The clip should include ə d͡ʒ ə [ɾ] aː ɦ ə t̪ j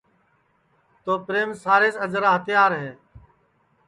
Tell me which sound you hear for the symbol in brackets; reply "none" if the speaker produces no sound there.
ɾ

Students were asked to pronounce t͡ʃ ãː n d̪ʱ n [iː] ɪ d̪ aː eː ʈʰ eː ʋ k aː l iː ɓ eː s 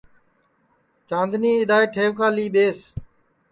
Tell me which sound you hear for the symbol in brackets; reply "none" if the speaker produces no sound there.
iː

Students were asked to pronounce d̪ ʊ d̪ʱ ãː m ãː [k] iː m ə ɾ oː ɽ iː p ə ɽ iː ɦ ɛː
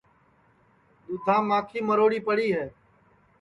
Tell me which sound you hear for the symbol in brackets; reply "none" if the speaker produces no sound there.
kʰ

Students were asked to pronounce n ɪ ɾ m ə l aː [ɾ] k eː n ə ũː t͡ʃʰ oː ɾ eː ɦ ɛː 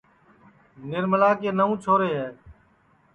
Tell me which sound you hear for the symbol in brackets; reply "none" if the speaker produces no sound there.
none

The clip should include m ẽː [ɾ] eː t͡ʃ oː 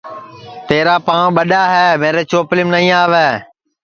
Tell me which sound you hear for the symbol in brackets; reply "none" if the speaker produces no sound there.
ɾ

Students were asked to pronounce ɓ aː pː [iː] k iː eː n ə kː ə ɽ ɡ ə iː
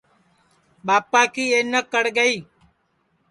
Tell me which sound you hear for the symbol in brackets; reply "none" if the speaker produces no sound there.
aː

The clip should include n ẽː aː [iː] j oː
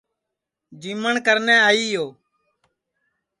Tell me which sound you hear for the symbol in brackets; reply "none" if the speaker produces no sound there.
iː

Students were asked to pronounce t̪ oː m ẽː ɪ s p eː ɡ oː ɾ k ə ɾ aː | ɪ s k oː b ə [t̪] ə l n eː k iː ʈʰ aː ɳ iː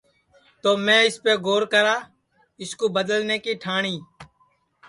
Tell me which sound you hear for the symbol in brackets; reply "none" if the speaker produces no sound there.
d̪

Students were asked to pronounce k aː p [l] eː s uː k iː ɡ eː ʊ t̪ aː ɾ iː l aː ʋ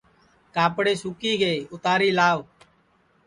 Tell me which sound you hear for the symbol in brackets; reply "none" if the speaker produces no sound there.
ɽ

